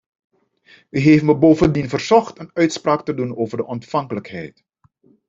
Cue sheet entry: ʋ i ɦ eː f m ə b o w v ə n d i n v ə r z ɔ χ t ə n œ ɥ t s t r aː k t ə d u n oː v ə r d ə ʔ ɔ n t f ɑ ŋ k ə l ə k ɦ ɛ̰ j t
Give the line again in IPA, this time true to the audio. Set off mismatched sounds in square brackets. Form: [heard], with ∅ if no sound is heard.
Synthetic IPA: ʋ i ɦ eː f m ə b o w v ə n d i n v ə r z ɔ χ t ə n œ ɥ t s [p] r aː k t ə d u n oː v ə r d ə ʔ ɔ n t f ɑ ŋ k ə l ə k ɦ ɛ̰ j t

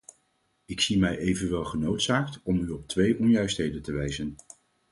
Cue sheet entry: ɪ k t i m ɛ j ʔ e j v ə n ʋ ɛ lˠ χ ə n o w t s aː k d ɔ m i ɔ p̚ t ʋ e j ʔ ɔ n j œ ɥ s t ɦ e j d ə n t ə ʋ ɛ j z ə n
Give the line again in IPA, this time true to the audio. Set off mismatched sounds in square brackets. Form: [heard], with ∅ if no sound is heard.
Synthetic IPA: ɪ k [s] i m ɛ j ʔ e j v ə n ʋ ɛ lˠ χ ə n o w t s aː k [t] ɔ m [y] ɔ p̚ t ʋ e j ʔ ɔ n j œ ɥ s t ɦ e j d ə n t ə ʋ ɛ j z ə n

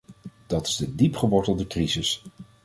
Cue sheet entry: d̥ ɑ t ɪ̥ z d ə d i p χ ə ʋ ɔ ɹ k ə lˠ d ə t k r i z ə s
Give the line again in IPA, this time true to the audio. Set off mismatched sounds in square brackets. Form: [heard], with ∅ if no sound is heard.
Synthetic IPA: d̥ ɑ t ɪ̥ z d ə d i p χ ə ʋ ɔ ɹ [t] ə lˠ d ə [∅] k r i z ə s

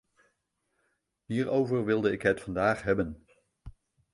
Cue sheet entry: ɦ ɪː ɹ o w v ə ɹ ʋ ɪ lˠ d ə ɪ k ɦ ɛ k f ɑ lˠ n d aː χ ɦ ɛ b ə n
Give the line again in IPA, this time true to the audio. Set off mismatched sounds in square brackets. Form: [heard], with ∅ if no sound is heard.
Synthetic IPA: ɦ [iː] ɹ o w v ə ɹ ʋ ɪ lˠ d ə ɪ k ɦ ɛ [t] f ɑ [∅] n d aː χ ɦ ɛ b ə n

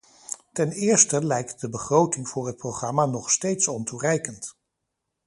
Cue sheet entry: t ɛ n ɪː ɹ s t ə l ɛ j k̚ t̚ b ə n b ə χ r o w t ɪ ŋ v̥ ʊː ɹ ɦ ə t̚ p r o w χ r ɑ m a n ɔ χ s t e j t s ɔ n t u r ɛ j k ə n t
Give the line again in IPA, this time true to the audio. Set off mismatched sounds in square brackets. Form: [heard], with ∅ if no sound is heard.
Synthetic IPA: t ɛ n ɪː ɹ s t ə l ɛ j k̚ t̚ [d] ə [∅] b ə χ r o w t ɪ ŋ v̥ ʊː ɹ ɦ ə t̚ p r o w χ r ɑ m a n ɔ χ s t e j t s ɔ n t u r ɛ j k ə n t

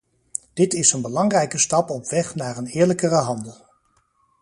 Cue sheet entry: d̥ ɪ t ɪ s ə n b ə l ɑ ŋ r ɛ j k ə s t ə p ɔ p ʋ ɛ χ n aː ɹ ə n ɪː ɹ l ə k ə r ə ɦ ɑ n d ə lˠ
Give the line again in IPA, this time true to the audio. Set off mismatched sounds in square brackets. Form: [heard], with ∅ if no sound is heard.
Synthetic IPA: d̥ ɪ t ɪ s ə n b ə l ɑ ŋ r ɛ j k ə s t [ɑ] p ɔ p ʋ ɛ χ n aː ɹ ə n ɪː ɹ l ə k ə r ə ɦ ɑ n d ə lˠ

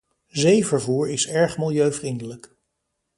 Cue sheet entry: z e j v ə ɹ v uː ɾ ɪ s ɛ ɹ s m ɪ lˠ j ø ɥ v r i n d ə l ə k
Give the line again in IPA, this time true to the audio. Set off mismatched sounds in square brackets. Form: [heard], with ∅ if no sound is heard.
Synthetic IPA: z e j v ə ɹ v uː [ɹ] ɪ s ɛ ɹ [χ] m ɪ lˠ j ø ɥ v r i n d ə l ə k

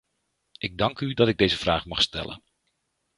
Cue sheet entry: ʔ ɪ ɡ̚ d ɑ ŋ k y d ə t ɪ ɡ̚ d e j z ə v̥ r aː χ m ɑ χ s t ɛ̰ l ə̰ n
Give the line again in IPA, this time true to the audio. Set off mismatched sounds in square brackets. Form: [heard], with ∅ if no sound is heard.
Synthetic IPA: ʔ ɪ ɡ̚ d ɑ ŋ k y d [ɑ] t ɪ ɡ̚ d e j z ə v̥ r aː χ m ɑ χ s t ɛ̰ l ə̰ n

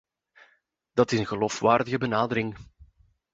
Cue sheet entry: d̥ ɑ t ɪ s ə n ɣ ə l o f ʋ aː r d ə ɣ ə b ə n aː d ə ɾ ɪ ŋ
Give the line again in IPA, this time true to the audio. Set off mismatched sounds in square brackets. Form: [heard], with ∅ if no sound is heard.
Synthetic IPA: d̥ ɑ t ɪ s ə n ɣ ə l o f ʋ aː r d ə ɣ ə b ə n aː d ə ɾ ɪ ŋ

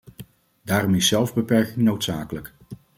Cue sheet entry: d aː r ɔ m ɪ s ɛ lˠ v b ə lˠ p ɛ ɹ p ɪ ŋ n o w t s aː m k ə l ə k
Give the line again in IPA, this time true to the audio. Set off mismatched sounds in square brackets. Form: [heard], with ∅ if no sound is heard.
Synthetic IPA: d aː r ɔ m ɪ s ɛ lˠ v b ə [∅] p ɛ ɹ [k] ɪ ŋ n o w t s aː [∅] k ə l ə k

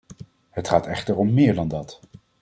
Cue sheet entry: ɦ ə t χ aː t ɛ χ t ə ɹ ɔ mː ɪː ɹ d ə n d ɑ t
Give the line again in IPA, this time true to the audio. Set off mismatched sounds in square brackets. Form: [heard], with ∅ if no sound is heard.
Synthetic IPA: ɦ ə t χ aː t ɛ χ t ə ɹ ɔ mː ɪː ɹ d [ɑ] n d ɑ t

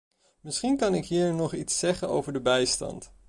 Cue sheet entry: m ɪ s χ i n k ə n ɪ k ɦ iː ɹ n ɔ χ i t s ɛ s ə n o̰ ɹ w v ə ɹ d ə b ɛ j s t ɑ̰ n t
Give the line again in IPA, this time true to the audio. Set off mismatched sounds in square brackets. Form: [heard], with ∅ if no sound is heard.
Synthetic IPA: m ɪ s χ i n k [ɑ] n ɪ k ɦ iː ɹ n ɔ χ i t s ɛ [χ] ə n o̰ [∅] w v ə ɹ d ə b ɛ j s t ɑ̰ n t

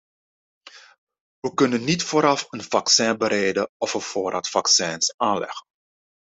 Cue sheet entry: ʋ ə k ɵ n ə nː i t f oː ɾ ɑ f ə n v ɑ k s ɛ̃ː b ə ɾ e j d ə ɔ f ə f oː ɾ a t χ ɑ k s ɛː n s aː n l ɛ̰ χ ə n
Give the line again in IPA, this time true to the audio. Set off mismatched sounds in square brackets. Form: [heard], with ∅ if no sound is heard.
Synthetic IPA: ʋ ə k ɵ n ə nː i t f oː ɾ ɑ f ə n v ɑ k s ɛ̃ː b ə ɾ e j d ə ɔ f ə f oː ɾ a t [f] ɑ k s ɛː n s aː n l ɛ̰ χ ə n

